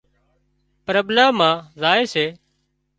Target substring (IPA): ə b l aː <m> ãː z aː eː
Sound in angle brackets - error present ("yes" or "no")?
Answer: no